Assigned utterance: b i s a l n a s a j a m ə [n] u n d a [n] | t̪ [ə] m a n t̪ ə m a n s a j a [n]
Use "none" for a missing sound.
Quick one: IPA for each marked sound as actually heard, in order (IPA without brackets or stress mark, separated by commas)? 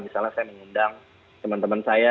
ŋ, ŋ, ə, none